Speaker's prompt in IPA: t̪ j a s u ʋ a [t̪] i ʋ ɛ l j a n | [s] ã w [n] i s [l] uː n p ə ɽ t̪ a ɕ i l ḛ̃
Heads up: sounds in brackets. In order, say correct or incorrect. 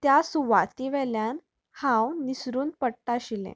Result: correct, incorrect, correct, incorrect

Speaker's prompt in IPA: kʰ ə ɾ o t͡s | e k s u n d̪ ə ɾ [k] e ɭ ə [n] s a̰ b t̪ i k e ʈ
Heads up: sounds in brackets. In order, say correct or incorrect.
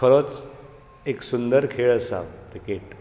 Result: incorrect, incorrect

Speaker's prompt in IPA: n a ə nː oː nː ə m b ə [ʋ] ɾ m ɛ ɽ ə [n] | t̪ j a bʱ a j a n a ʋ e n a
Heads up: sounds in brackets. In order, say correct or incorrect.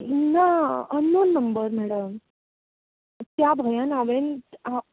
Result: incorrect, incorrect

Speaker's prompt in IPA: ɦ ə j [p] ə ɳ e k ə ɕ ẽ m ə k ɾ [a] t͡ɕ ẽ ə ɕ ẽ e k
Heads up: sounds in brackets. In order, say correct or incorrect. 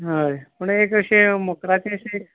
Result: correct, correct

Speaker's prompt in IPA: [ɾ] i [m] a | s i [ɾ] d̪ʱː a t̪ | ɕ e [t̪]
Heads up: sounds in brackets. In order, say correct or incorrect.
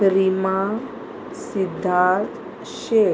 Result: correct, correct, incorrect, incorrect

